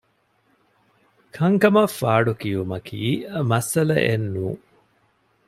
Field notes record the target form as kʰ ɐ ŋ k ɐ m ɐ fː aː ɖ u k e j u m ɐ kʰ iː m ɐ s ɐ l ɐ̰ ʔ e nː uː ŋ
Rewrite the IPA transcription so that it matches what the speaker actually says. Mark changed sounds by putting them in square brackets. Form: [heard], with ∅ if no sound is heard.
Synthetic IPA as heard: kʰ ɐ ŋ k ɐ m ɐ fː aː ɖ u k [i] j u m ɐ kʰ iː m ɐ s ɐ l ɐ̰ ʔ e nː uː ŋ